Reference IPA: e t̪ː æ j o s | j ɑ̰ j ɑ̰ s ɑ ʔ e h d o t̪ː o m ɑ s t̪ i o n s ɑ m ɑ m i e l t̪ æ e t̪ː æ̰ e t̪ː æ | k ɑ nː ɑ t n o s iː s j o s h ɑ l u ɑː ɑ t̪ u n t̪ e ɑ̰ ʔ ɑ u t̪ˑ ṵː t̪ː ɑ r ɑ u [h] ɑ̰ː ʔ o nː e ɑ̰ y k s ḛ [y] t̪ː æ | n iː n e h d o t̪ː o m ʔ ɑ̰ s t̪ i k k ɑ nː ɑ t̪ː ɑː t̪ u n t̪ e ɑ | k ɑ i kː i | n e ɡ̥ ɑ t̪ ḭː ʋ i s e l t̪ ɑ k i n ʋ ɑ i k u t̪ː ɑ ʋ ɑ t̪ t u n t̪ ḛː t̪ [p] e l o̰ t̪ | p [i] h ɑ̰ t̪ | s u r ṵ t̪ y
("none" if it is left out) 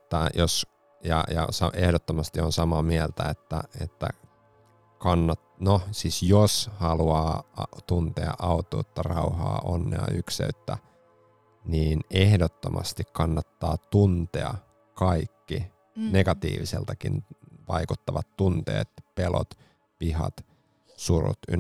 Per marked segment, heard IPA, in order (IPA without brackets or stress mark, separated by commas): h, y, p, i